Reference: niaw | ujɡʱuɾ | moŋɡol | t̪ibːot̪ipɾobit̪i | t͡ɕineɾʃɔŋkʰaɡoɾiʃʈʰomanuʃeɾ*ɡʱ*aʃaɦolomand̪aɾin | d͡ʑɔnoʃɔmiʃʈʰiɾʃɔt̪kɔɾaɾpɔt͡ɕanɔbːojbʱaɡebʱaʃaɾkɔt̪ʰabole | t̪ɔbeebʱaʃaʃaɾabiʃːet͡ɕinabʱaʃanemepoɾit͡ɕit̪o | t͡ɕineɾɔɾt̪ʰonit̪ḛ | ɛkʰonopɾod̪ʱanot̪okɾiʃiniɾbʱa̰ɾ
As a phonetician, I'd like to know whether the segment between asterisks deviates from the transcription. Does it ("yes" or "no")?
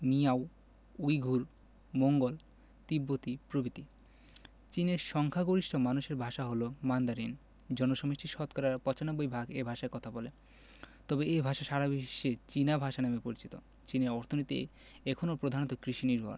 yes